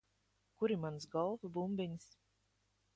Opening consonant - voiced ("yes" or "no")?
no